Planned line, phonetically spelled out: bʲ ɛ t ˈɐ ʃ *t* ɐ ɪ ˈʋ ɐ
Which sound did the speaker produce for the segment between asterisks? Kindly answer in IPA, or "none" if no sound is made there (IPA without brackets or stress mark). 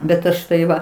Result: t